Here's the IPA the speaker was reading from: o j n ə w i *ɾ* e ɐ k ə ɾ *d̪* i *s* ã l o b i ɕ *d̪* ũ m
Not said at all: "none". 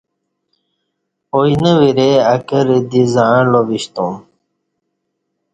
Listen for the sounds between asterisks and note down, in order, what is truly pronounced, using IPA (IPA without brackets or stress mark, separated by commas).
ɾ, d̪, z, t̪